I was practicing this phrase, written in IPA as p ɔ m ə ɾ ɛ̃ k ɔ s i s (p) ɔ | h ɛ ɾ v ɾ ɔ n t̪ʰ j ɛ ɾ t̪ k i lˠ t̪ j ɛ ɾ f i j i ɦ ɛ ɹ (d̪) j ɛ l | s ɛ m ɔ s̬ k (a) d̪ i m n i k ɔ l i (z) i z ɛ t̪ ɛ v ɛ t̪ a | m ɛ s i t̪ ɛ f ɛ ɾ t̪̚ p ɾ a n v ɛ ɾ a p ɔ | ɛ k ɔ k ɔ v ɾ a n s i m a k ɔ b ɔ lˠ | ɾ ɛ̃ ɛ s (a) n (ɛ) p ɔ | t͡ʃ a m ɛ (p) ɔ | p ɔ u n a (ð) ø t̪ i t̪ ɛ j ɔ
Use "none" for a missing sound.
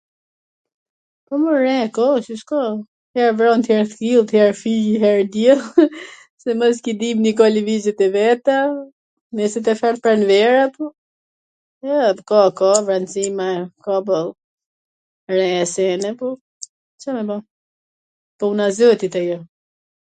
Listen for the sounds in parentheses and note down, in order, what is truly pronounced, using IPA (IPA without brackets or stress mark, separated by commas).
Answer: k, d̪, i, v, ɛ, ɛ, b, z